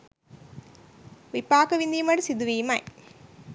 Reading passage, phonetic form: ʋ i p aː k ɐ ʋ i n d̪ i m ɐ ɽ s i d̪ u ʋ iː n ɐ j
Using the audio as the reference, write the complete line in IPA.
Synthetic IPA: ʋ i p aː k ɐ ʋ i n d̪ i m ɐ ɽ s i d̪ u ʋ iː m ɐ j